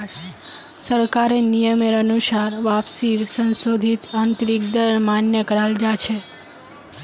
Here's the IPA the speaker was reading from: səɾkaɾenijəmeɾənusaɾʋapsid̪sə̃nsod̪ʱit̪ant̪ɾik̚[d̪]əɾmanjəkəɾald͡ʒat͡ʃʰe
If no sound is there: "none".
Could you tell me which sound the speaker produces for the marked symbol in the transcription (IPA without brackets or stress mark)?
d̪